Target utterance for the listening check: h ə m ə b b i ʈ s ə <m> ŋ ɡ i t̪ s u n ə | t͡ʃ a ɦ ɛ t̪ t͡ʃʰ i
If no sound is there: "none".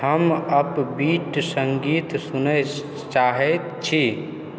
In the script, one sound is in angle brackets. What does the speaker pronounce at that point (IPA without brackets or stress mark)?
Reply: none